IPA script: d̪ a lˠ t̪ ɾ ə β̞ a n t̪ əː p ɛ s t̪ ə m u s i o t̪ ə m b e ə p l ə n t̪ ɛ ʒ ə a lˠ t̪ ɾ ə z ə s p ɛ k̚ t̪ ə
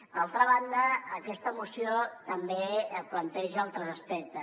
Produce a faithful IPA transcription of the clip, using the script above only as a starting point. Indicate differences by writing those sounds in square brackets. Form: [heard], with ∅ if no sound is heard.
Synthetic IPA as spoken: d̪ a lˠ t̪ ɾ ə β̞ a n [d̪] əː [k] ɛ s t̪ ə m u s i o t̪ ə m b e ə p l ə n t̪ ɛ ʒ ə a lˠ t̪ ɾ ə z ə s p ɛ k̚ t̪ ə